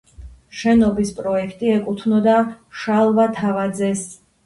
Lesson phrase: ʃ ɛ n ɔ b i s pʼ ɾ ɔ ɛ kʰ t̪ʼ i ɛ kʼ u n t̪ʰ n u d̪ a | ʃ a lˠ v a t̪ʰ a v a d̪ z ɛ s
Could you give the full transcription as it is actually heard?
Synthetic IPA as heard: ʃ ɛ n ɔ b i s pʼ ɾ ɔ ɛ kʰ t̪ʼ i ɛ kʼ u t̪ʰ n ɔ d̪ a | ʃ a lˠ v a t̪ʰ a v a d̪ z ɛ s